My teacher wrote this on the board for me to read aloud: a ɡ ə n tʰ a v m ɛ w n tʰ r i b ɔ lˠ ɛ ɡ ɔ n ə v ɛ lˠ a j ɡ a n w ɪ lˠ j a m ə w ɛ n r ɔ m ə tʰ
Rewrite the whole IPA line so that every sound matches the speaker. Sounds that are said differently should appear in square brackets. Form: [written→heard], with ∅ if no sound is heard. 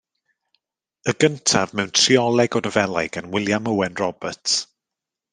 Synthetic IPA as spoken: [a→ə] ɡ ə n tʰ a v m ɛ w n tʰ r i [b→∅] ɔ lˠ ɛ ɡ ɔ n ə v ɛ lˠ a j ɡ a n w ɪ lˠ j a m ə w ɛ n r ɔ [m→b] ə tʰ